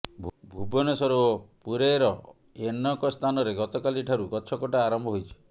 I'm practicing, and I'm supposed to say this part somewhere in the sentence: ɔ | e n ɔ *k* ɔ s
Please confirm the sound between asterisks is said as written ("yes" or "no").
yes